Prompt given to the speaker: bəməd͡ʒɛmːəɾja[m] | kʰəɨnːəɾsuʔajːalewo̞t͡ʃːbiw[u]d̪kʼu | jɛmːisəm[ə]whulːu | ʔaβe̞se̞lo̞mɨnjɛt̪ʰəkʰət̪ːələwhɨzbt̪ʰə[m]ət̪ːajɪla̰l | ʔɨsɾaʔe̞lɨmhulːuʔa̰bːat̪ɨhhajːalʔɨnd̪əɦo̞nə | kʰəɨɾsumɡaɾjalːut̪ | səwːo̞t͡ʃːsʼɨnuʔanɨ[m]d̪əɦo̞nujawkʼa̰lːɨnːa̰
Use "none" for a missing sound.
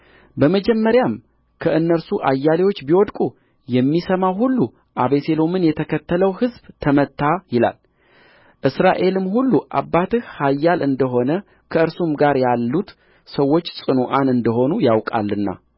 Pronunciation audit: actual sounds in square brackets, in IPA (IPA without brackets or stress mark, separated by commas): m, ɔ, a, m, n